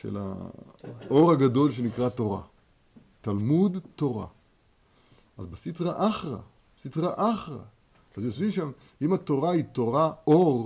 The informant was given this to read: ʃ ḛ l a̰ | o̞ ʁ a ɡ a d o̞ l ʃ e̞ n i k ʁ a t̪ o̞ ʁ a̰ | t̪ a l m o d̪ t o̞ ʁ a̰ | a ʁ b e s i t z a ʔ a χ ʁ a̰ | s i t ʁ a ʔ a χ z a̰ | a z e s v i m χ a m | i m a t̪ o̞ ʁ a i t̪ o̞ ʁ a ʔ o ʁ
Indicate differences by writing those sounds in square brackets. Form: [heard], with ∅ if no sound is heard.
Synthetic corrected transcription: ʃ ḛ l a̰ | o̞ ʁ a ɡ a d o̞ l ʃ e̞ n i k ʁ a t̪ o̞ ʁ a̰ | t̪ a l m [u] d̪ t o̞ ʁ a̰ | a [z] b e s i t [ʁ] a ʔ a χ ʁ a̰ | s i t ʁ a ʔ a χ [ʁ] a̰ | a z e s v i m [ʃ] a m | i m a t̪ o̞ ʁ a i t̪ o̞ ʁ a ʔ o ʁ